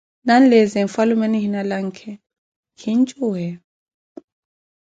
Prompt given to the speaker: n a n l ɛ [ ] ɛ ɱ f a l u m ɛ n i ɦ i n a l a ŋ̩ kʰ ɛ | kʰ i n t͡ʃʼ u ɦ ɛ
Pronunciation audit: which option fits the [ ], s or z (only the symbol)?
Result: z